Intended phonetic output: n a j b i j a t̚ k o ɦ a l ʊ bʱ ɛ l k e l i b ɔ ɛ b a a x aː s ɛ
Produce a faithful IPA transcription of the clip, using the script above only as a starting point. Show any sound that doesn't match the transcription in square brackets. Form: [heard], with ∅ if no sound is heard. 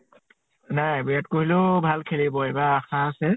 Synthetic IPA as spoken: n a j b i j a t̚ k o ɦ [i] l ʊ bʱ [a] l [kʰ] e l i b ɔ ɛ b a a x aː s ɛ